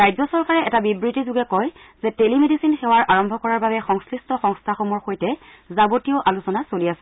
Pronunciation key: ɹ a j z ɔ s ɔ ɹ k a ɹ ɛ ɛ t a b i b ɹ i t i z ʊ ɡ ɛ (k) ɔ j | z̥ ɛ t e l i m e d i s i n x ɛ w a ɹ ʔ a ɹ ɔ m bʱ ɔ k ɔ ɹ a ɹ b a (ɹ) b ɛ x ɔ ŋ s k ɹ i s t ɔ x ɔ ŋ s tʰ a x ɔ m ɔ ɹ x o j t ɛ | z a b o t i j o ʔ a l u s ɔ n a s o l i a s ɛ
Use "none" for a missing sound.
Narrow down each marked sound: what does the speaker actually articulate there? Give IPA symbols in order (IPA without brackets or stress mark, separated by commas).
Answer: k, none